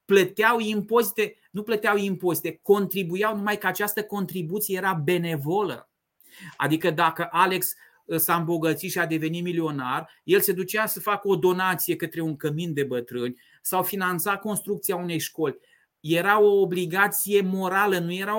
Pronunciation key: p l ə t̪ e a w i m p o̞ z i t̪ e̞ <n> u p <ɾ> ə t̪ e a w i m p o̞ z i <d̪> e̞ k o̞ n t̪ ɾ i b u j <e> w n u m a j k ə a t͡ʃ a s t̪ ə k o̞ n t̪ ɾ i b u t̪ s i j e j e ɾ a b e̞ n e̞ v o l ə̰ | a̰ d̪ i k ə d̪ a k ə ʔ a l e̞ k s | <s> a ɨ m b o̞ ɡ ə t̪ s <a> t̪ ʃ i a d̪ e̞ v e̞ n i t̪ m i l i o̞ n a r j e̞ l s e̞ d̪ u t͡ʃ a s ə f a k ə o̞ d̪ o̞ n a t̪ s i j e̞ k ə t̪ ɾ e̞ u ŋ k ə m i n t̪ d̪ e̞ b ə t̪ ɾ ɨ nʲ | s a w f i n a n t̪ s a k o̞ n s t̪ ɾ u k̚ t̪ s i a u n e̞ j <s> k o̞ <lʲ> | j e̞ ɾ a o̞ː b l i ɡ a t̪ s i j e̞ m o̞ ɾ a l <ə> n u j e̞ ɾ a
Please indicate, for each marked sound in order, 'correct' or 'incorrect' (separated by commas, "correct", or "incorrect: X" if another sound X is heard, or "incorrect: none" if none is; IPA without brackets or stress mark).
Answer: correct, incorrect: l, incorrect: t̪, incorrect: a, correct, incorrect: i, incorrect: ʃ, correct, correct